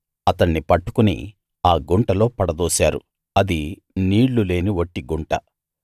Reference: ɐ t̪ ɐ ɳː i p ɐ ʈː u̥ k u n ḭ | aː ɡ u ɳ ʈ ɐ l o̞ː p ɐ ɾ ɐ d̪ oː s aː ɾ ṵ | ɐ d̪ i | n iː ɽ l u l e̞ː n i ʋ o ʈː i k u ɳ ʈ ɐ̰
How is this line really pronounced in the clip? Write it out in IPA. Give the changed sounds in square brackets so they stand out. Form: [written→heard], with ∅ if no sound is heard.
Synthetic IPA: ɐ t̪ ɐ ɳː i p ɐ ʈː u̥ k u n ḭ | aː ɡ u ɳ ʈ ɐ l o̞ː p ɐ [ɾ→ɽ] ɐ d̪ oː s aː ɾ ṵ | ɐ d̪ i | n iː ɽ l u l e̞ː n i ʋ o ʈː i [k→ɡ] u ɳ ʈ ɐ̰